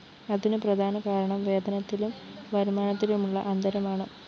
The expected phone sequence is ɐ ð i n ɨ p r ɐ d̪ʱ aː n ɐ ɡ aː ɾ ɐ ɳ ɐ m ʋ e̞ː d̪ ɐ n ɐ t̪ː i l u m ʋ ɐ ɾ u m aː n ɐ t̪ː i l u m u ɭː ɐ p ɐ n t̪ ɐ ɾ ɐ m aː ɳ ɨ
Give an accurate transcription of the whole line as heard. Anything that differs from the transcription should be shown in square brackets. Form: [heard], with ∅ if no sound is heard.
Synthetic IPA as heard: ɐ ð i n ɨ p r ɐ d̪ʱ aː n ɐ [k] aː ɾ ɐ ɳ ɐ m ʋ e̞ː d̪ ɐ n ɐ t̪ː i l u m ʋ ɐ ɾ u m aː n ɐ t̪ː i l u m u ɭː ɐ [ʔ] ɐ n [d̪] ɐ ɾ ɐ m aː ɳ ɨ